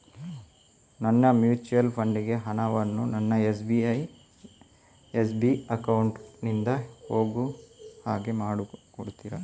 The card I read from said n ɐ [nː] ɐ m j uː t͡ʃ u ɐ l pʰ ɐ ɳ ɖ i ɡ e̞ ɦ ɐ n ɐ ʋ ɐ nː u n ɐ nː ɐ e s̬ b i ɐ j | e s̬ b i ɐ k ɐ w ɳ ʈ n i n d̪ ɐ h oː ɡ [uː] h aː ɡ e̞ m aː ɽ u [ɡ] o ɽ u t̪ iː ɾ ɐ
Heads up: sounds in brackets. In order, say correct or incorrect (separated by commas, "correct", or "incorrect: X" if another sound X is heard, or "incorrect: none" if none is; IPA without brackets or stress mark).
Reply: correct, incorrect: u, incorrect: k